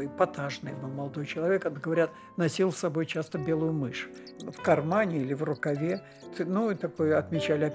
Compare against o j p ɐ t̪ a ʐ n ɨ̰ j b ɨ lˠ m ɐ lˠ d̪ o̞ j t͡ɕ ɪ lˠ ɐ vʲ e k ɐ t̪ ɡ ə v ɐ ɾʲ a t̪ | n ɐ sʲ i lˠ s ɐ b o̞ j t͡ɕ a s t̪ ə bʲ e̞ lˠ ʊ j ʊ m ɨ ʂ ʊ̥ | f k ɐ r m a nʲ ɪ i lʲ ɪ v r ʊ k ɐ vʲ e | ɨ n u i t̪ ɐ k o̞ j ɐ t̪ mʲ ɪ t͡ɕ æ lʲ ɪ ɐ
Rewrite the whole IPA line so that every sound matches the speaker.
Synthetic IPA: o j p ɐ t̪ a ʐ n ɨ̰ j b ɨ lˠ m ɐ lˠ d̪ o̞ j t͡ɕ ɪ lˠ ɐ vʲ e k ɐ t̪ ɡ ə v ɐ ɾʲ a t̪ | n ɐ sʲ i lˠ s ɐ b o̞ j t͡ɕ a s t̪ ə bʲ e̞ lˠ ʊ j ʊ m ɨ ʂ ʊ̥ | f k ɐ r m a nʲ ɪ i lʲ ɪ v r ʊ k ɐ vʲ e | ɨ n u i t̪ ɐ k o̞ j ɐ t̪ mʲ ɪ t͡ɕ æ lʲ ɪ ɐ